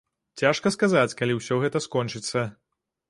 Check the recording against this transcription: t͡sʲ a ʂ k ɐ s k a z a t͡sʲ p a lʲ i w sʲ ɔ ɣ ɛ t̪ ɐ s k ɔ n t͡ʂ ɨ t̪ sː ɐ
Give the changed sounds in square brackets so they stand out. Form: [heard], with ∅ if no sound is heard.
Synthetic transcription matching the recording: t͡sʲ a ʂ k ɐ s k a z a t͡sʲ [k] a lʲ i w sʲ ɔ ɣ ɛ t̪ ɐ s k ɔ n t͡ʂ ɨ t̪ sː ɐ